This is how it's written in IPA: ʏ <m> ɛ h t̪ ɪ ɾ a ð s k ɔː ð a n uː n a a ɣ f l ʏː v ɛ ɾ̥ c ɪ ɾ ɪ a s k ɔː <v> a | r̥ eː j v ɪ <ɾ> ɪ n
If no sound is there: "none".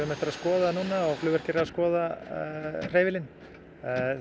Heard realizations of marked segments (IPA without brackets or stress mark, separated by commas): m, ð, l